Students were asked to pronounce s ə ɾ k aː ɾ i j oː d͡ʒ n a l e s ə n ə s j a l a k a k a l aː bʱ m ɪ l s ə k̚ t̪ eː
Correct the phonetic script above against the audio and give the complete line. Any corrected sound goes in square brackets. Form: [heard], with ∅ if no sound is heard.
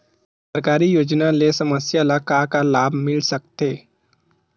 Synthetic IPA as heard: s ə ɾ k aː ɾ i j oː d͡ʒ n a l e s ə [m] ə s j a l a k a k a l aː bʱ m ɪ l s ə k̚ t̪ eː